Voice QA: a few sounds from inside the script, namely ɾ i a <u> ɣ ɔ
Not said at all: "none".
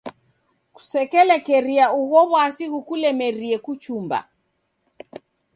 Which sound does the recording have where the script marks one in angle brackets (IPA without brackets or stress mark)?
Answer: u